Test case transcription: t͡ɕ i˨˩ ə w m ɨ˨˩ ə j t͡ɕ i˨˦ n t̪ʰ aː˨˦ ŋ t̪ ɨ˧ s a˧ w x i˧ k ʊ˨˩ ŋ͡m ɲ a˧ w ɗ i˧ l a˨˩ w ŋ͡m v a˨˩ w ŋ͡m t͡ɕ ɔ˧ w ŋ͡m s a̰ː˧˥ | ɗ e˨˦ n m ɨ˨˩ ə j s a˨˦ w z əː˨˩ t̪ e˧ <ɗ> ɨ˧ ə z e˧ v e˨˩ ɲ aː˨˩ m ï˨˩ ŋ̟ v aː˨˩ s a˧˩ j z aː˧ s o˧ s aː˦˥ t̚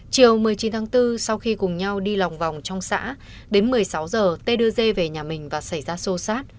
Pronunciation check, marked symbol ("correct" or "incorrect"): correct